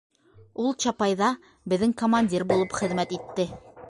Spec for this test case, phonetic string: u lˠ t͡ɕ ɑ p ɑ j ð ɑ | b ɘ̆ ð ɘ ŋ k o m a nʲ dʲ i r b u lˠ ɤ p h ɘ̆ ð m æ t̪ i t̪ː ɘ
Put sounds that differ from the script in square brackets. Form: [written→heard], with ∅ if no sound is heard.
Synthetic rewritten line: u lˠ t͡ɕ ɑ p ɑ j ð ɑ | b ɘ̆ ð ɘ ŋ k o m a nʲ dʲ i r b u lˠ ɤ p [h→χ] ɘ̆ ð m æ t̪ i t̪ː ɘ